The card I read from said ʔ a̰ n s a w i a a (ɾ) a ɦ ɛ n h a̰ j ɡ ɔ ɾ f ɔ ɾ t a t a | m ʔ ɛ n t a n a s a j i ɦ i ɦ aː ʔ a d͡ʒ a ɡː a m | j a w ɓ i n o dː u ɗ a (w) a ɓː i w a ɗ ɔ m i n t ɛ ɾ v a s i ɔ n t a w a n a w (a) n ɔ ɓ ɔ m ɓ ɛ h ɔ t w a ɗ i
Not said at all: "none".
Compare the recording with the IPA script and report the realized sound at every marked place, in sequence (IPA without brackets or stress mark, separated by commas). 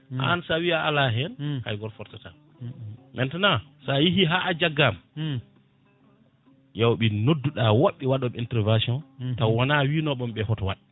l, w, i